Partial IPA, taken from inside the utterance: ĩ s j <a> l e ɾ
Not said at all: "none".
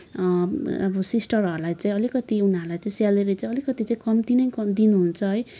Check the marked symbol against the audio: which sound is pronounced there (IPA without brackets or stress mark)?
a